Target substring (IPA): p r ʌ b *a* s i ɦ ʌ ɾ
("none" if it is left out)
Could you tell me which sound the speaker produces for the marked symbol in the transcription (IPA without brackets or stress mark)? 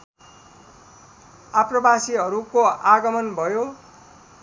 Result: a